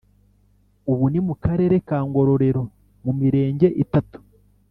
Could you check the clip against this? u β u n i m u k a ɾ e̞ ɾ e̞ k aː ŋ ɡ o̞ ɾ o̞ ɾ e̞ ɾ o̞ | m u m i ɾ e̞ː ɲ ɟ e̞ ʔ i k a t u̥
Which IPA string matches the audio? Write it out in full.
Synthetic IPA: u β u n i m u k a ɾ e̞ ɾ e̞ k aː ŋ ɡ o̞ ɾ o̞ ɾ e̞ ɾ o̞ | m u m i ɾ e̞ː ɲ ɟ e̞ ʔ i t a t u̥

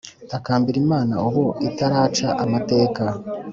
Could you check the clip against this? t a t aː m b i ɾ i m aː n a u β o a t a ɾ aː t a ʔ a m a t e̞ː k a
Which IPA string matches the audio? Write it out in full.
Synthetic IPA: t a k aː m b i ɾ i m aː n a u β o i t a ɾ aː t͡ʃ a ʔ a m a t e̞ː k a

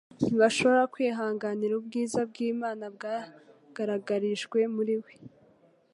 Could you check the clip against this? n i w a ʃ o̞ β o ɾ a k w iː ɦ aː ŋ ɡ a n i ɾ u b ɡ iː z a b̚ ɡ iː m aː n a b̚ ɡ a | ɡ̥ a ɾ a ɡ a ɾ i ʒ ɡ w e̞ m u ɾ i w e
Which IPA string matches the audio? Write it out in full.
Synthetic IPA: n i β a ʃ o̞ β o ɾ a k w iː ɦ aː ŋ ɡ a n i ɾ u b ɡ iː z a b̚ ɡ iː m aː n a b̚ ɡ a | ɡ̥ a ɾ a ɡ a ɾ i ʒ ɡ w e̞ m u ɾ i w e

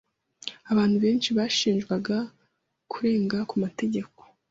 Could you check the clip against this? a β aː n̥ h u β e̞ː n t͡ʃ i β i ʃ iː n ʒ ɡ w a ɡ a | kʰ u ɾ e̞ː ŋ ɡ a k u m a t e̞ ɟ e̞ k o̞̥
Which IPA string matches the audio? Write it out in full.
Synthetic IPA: a β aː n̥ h u β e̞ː n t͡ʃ i β a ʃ iː n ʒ ɡ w a ɡ a | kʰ u ɾ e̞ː ŋ ɡ a k u m a t e̞ ɟ e̞ k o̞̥

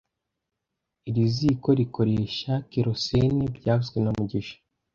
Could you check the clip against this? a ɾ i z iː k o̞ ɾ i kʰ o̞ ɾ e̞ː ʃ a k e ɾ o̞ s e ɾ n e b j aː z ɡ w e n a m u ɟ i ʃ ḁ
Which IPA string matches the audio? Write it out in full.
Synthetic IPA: i ɾ i z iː k o̞ ɾ i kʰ o̞ ɾ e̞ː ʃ a k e ɾ o̞ s e n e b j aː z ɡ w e n a m u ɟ i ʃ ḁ

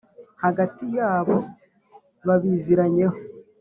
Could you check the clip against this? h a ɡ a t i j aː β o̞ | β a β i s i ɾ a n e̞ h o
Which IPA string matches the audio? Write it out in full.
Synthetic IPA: h a ɡ a t i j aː β o̞ | β a β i z i ɾ a ɲ e̞ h o

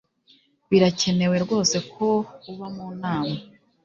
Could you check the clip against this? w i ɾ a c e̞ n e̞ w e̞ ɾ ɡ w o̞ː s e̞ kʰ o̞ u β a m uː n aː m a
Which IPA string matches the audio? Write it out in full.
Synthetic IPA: β i ɾ a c e̞ n e̞ w e̞ ɾ ɡ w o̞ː s e̞ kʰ o̞ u β a m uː n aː m a

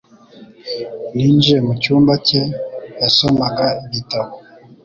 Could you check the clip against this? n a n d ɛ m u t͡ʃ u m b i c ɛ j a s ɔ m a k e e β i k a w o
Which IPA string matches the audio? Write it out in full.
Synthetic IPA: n i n d͡ʒ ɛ m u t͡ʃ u m b a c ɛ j a s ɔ m a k a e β i t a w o

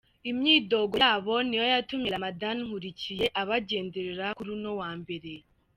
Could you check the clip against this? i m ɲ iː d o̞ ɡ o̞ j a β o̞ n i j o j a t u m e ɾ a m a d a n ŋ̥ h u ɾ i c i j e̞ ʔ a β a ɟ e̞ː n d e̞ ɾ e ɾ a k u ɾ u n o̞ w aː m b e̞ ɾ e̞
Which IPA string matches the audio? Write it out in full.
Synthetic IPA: i m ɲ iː d o̞ ɡ o̞ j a β o̞ n i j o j a t u m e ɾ a m a d a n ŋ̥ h u ɾ i c i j e̞ ʔ a β a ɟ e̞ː n d e̞ ɾ e ɾ a k u ɾ u n o̞ w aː m b e̞ ɾ e̞

